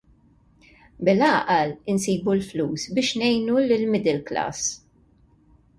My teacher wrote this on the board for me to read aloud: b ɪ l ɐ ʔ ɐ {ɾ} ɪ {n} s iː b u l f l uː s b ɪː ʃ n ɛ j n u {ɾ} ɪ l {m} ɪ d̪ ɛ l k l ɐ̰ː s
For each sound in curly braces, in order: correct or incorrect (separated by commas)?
incorrect, correct, incorrect, correct